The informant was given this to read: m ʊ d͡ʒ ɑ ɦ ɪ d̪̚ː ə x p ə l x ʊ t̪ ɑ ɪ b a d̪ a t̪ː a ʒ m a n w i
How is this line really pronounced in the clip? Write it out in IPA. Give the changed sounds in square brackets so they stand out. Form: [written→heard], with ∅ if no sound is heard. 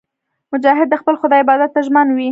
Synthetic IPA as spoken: m ʊ d͡ʒ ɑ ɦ ɪ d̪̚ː ə x p ə l x ʊ [t̪→d̪] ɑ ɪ b [a→ɑ] d̪ a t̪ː a ʒ m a n w i

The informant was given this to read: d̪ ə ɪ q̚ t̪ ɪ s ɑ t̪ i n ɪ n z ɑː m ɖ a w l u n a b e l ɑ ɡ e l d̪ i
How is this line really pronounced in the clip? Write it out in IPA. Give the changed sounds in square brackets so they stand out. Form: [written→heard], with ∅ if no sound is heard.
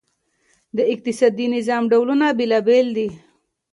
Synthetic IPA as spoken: d̪ ə ɪ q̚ t̪ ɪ s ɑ [t̪→d̪] i n ɪ [n→∅] z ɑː m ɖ a w l u n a b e l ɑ [ɡ→b] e l d̪ i

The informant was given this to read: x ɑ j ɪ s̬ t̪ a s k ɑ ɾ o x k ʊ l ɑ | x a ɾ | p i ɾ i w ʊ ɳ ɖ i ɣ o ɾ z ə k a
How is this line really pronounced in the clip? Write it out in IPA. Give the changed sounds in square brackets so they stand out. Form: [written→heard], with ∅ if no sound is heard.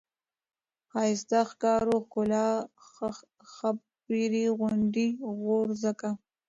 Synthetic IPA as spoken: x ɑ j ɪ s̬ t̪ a [s→x] k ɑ ɾ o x k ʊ l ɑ | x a [ɾ→∅] | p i ɾ i [w→ɣ] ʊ ɳ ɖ i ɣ o ɾ z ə k a

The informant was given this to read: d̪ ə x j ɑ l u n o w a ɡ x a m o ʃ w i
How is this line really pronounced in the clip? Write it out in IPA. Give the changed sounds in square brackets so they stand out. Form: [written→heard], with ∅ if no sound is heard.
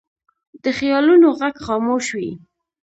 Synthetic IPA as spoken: d̪ ə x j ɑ l u n o [w→ɣ] a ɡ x [a→ɑ] m o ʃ w i

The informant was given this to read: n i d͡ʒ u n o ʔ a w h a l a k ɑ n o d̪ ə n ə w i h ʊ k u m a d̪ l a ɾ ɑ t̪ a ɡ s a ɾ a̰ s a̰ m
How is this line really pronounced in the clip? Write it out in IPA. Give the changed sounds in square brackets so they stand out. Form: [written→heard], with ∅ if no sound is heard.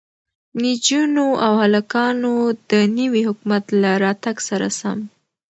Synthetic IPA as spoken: n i d͡ʒ u n o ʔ a w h a l a k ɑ n o d̪ ə n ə w i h ʊ k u m a [d̪→t̪] l a ɾ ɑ t̪ a ɡ s a ɾ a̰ s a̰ m

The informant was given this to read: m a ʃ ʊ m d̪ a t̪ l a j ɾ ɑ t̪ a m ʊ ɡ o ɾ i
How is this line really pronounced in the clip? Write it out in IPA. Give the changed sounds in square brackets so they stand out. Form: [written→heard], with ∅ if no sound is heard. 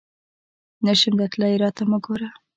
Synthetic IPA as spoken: [m→n] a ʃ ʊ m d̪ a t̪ l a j ɾ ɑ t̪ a m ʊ ɡ o ɾ [i→a]

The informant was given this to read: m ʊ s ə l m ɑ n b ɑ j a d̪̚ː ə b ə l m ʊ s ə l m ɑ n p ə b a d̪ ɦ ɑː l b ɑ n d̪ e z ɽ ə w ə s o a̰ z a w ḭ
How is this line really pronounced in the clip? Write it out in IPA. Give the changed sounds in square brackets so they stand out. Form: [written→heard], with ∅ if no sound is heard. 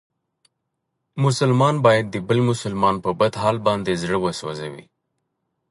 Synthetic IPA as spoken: m ʊ s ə l m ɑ n b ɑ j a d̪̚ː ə b ə l m ʊ s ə l m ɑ n p ə b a d̪ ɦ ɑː l b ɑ n d̪ e z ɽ ə w ə s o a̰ z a w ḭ

